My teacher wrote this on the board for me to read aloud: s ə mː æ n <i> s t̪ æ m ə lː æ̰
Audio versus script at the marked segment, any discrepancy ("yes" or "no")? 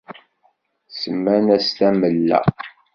yes